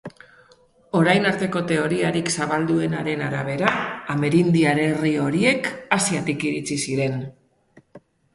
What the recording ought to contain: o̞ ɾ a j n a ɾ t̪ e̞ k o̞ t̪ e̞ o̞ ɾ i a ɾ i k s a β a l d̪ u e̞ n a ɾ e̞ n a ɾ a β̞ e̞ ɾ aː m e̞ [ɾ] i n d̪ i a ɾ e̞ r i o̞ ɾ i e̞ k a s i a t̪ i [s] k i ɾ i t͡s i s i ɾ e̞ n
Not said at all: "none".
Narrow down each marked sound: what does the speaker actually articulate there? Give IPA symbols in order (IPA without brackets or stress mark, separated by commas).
ɾ, none